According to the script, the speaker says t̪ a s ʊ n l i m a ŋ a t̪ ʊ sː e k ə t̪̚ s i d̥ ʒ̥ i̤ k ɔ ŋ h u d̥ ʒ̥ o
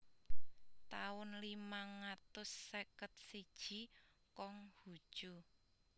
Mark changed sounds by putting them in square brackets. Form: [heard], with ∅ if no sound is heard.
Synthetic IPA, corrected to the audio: t̪ a [∅] ʊ n l i m a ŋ a t̪ ʊ sː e k ə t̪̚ s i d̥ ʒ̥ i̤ k ɔ ŋ h u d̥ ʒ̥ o